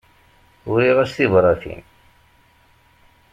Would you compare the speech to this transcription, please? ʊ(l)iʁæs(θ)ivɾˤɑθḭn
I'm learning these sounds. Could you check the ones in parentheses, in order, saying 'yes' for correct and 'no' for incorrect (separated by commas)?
no, yes